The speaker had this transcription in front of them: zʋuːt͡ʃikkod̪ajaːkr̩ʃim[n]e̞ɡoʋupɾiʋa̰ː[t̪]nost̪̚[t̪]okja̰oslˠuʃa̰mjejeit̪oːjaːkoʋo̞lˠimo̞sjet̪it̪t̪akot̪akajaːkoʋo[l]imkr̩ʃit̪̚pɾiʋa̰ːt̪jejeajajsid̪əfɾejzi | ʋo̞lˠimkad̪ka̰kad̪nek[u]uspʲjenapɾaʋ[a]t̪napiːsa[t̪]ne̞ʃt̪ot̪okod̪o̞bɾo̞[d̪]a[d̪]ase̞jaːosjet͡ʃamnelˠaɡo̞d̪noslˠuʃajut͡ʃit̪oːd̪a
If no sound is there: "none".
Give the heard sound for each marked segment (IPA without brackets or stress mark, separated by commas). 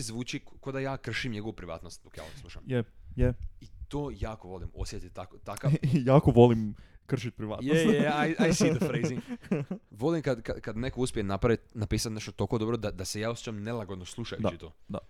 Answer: ɲ, t̪, d̪, l, o, i, t̪, d̪, d̪